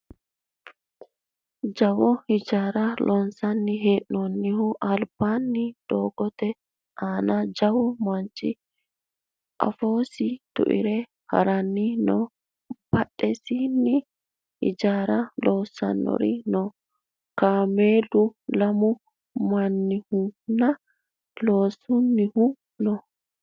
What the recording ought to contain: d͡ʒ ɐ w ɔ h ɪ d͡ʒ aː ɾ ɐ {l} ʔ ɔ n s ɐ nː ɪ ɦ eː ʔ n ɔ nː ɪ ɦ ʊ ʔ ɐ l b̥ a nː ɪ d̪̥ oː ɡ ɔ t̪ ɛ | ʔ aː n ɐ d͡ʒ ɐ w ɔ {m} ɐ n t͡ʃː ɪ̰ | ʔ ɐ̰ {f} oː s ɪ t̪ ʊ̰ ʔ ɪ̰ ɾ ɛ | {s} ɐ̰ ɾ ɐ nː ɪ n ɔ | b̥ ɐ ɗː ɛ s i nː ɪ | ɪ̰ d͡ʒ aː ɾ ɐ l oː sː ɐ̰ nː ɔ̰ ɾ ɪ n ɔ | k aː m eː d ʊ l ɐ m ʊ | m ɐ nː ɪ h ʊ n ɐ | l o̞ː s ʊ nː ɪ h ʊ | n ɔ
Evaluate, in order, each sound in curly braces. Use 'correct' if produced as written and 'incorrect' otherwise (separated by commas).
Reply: correct, correct, correct, incorrect